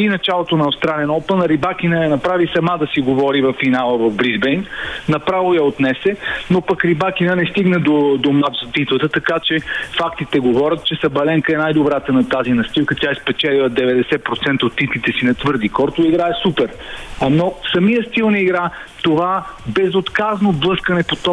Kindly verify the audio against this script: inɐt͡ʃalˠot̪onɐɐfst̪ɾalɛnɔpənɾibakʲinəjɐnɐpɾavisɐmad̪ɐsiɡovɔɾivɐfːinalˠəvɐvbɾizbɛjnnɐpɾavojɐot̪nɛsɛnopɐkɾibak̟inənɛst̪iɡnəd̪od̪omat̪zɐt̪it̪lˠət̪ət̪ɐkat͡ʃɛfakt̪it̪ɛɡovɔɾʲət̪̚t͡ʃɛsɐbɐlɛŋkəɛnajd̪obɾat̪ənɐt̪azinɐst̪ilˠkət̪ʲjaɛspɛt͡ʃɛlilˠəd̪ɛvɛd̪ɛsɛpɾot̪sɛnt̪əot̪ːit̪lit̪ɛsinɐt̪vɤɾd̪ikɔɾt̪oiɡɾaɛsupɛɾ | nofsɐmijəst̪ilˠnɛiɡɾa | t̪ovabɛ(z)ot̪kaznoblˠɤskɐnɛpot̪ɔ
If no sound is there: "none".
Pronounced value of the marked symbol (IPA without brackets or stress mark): z